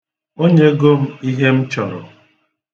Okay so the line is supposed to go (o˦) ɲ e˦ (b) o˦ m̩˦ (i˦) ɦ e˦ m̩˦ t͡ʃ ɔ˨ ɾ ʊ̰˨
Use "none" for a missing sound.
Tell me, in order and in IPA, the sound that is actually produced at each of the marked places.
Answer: o˦, ɡ, i˦

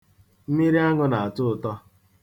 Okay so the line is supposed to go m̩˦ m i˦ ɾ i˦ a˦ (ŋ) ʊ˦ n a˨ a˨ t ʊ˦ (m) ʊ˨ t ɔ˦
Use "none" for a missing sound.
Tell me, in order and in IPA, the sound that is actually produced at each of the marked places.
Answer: ŋ, none

